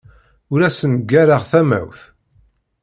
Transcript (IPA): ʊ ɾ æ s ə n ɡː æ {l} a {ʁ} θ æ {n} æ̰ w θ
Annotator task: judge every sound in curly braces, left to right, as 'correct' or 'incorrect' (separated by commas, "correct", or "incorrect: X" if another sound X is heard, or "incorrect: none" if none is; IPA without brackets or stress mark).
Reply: incorrect: ɾ, correct, incorrect: m